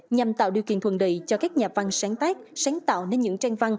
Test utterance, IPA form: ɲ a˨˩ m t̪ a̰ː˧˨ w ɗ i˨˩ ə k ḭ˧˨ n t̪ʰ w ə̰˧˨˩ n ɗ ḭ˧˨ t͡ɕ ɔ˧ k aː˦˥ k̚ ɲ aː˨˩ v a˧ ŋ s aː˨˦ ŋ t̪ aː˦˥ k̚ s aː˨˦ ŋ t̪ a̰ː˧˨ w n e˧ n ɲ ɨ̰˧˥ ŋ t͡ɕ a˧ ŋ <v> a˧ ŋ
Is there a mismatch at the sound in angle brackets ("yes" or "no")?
no